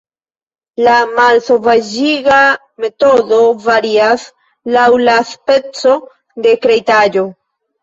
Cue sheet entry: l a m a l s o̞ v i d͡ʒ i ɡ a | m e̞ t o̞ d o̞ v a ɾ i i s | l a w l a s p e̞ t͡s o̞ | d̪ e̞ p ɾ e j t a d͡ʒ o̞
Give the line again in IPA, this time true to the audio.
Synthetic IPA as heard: l a m a l s o̞ v a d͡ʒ i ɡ a | m e̞ t o̞ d o̞ v a ɾ i a s | l a w l a s p e̞ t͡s o̞ | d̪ e̞ k ɾ e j t a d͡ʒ o̞